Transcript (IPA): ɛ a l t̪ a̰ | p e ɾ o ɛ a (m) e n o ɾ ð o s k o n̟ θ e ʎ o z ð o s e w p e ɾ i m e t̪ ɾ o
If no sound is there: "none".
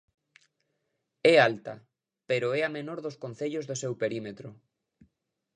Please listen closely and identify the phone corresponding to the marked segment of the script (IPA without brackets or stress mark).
m